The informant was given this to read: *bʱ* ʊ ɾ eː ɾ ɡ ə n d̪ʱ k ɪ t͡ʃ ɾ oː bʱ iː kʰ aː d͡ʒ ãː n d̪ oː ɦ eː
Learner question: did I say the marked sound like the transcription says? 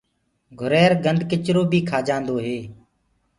no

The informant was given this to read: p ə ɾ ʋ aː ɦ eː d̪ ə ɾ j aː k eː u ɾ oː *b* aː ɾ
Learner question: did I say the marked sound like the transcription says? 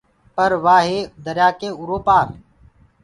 no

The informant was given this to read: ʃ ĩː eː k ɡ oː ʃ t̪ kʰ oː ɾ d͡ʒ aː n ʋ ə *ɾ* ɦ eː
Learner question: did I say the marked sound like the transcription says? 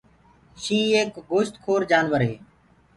yes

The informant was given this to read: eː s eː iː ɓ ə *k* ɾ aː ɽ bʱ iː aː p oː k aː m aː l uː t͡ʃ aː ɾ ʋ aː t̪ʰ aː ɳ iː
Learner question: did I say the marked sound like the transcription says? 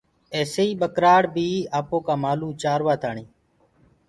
yes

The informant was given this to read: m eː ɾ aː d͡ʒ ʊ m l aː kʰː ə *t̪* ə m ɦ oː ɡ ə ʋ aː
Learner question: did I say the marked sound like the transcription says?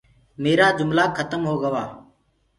yes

